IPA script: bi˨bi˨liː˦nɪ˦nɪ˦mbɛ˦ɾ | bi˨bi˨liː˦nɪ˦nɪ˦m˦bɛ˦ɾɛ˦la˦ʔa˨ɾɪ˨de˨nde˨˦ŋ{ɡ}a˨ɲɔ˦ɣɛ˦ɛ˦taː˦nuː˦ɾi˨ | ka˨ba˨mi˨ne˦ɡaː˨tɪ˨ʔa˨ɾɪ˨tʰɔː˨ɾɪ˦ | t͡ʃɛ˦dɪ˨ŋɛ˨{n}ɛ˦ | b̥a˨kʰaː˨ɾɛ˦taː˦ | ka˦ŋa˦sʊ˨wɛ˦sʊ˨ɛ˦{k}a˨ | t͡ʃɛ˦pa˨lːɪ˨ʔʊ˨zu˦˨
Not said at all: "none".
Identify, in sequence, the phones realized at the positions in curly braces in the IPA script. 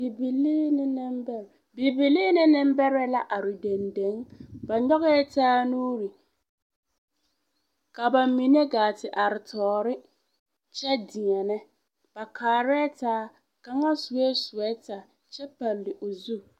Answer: b, n, t

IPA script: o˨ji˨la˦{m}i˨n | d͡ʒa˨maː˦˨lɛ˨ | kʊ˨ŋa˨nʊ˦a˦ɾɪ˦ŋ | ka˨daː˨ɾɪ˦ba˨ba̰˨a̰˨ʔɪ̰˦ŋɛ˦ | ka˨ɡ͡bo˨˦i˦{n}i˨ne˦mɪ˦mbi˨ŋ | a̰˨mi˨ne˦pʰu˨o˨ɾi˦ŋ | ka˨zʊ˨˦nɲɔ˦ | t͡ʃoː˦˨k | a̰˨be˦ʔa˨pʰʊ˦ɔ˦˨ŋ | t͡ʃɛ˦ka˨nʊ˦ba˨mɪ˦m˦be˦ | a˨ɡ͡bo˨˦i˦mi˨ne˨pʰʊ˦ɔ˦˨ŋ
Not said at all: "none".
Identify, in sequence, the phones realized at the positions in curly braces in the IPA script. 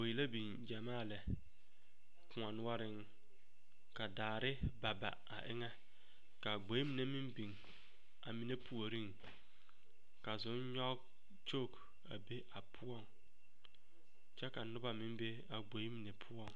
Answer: b, m

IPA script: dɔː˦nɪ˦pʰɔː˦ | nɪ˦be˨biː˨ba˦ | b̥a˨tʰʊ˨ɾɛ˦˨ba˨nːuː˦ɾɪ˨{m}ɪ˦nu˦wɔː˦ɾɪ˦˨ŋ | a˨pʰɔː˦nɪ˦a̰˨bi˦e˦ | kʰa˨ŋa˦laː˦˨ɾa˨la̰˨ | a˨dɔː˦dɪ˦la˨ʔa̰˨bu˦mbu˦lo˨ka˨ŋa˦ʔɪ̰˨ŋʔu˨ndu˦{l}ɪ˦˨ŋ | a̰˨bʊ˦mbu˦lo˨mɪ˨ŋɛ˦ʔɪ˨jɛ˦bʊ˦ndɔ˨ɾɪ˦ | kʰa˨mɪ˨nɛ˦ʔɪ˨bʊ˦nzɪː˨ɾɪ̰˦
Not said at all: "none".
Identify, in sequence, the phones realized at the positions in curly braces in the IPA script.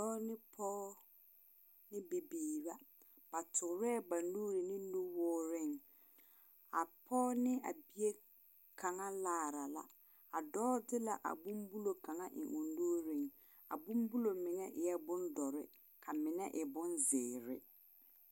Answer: n, ɾ

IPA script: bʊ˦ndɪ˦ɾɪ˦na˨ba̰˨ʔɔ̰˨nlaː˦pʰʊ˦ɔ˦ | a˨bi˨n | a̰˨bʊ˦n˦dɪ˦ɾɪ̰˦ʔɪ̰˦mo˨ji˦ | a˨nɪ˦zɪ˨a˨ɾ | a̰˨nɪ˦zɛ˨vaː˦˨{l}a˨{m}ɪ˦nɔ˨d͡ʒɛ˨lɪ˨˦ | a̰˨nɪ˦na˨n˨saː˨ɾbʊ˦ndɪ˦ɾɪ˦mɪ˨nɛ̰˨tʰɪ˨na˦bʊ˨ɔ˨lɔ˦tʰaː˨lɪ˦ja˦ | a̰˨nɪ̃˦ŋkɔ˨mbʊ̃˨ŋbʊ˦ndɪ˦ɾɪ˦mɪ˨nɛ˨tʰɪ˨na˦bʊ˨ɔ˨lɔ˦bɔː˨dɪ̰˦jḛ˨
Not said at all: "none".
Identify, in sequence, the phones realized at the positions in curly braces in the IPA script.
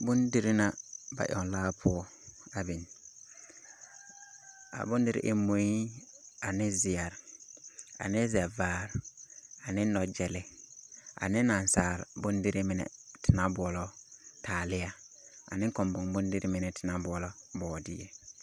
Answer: ɾ, n

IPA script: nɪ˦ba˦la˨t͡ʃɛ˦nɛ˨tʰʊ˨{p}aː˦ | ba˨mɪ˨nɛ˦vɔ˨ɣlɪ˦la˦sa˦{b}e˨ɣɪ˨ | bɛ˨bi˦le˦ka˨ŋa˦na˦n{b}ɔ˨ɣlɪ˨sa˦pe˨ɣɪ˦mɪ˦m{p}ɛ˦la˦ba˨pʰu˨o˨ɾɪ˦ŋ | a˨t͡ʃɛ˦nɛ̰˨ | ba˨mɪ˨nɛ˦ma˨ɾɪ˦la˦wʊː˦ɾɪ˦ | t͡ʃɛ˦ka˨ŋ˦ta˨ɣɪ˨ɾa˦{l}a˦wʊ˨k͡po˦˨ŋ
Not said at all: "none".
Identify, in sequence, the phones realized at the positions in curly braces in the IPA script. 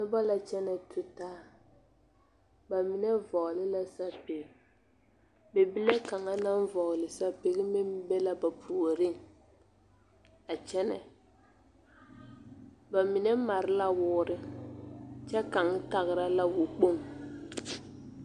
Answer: t, p, v, b, l

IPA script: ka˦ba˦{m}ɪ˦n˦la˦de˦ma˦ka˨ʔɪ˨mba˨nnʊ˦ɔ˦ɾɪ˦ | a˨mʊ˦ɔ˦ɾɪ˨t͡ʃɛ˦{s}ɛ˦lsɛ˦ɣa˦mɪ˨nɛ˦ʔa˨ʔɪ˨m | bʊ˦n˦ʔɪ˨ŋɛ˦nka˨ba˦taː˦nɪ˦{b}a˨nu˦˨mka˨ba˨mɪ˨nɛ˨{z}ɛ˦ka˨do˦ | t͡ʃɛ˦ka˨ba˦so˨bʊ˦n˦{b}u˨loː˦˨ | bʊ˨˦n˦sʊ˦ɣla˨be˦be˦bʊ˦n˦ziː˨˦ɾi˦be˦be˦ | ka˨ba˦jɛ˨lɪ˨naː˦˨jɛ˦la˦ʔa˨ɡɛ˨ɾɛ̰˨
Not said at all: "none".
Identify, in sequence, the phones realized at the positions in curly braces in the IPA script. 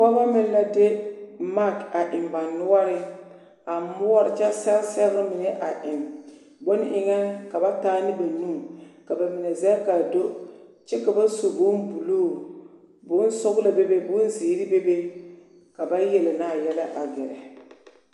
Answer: m, s, b, z, b

